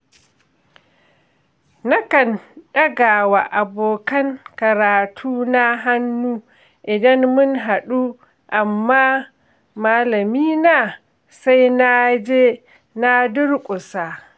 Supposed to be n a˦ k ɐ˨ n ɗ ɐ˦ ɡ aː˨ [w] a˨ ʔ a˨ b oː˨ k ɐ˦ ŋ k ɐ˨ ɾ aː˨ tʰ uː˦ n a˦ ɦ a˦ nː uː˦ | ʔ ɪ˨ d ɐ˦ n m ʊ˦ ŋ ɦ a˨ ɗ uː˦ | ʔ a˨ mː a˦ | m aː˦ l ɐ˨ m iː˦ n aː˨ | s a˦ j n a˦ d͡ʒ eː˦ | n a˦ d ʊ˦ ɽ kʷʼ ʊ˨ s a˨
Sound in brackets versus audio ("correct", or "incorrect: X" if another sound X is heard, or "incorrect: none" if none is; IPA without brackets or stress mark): correct